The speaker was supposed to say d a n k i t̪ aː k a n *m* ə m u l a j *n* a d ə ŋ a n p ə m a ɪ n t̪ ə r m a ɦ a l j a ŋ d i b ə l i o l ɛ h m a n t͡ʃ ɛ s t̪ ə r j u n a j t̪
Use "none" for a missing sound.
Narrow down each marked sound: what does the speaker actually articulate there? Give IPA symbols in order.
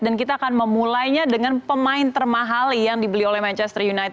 m, ɲ

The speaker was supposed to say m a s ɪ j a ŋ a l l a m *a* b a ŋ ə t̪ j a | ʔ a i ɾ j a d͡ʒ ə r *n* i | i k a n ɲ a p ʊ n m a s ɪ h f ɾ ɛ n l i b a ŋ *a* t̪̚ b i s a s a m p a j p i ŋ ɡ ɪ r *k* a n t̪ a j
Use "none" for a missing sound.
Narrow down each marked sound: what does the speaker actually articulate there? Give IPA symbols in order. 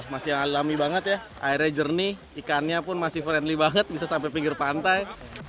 i, n, ə, p

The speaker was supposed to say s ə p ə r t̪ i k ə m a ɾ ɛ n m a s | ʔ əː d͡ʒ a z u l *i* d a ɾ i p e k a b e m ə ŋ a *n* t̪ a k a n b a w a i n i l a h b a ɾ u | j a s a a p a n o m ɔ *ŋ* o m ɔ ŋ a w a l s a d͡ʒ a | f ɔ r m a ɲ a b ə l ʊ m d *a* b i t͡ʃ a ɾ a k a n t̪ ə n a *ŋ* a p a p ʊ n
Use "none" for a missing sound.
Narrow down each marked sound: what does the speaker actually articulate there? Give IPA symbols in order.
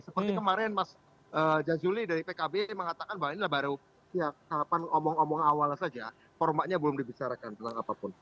i, none, ŋ, i, ŋ

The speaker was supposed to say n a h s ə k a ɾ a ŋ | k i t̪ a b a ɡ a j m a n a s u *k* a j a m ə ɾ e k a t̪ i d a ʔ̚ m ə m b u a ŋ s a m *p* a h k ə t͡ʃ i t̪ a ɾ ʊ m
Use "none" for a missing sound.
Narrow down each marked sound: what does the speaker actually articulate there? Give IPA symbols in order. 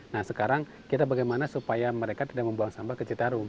p, b

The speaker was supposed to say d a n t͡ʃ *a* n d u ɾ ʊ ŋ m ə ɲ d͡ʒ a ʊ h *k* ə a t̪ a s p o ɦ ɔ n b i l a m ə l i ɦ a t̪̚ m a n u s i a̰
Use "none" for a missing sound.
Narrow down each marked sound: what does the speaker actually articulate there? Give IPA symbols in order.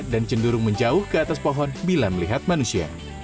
ə, k

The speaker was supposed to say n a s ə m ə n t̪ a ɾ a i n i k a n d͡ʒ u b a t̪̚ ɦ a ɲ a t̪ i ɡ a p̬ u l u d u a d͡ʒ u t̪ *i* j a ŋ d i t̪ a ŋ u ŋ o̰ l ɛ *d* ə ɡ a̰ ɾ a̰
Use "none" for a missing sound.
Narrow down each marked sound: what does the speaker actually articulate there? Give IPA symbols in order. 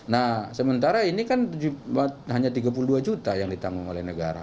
a, n

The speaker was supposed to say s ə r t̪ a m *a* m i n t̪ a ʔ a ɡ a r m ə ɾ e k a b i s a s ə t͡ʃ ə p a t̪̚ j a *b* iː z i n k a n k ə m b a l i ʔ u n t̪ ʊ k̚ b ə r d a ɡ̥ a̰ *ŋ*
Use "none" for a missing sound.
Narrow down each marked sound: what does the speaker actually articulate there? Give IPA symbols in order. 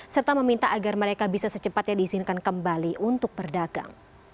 ə, d, ŋ

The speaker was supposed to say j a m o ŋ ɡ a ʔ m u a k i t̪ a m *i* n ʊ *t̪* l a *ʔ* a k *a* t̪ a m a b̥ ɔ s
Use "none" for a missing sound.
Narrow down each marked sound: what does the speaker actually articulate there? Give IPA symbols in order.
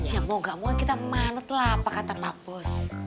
a, t̪, p, a

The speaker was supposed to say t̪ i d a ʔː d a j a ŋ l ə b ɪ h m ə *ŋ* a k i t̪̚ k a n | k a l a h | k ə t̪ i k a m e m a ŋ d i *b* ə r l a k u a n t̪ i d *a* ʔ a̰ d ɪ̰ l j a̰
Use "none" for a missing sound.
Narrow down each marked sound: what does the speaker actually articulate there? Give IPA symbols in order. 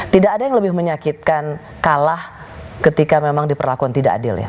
ɲ, p, a

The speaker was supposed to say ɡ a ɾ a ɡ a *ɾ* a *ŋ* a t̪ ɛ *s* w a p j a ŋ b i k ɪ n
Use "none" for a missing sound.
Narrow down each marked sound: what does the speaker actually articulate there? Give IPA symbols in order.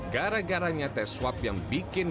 ɾ, ɲ, s

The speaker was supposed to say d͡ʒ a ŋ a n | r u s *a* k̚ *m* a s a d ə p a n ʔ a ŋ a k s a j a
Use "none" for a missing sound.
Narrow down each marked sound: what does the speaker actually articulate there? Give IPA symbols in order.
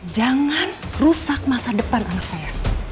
a, m

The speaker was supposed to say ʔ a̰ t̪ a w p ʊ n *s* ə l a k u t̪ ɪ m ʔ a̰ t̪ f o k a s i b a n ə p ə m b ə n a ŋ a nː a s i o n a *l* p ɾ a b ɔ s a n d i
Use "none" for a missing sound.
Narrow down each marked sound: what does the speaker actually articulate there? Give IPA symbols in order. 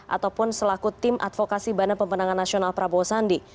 s, l

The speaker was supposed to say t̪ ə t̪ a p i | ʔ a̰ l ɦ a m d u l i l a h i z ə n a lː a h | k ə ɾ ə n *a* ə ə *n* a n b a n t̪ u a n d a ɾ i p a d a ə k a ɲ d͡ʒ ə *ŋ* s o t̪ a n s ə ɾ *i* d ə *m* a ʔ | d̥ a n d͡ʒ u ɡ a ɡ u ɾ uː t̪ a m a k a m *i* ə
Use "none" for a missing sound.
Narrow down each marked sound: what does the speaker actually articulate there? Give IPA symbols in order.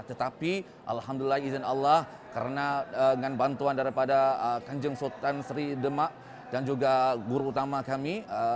a, ŋ, ŋ, i, m, i

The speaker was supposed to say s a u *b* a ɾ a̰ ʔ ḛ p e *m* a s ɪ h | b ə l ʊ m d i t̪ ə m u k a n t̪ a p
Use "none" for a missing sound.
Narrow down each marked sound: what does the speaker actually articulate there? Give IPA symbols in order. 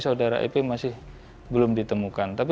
d, m

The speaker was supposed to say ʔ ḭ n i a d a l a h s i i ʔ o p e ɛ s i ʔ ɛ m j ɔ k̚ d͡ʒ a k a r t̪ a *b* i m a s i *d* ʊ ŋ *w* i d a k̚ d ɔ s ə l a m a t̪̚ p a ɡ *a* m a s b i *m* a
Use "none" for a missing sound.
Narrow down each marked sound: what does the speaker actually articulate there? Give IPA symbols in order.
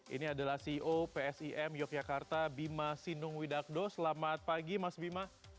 b, n, w, i, m

